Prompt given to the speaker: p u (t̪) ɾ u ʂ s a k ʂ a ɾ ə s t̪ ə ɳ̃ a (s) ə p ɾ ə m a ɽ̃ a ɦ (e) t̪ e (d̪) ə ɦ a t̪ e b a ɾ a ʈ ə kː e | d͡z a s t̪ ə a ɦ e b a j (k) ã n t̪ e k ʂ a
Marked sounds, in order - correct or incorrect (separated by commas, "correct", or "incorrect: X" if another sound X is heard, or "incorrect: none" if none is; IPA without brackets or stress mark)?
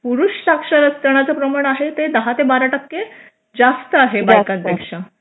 incorrect: none, incorrect: t͡s, correct, correct, correct